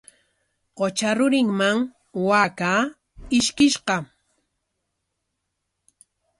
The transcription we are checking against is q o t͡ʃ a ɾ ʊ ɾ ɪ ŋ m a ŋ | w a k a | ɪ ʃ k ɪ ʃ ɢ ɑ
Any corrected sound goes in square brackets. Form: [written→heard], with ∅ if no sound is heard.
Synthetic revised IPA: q o t͡ʃ a ɾ ʊ ɾ ɪ ŋ m a ŋ | w a k a | ɪ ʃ k ɪ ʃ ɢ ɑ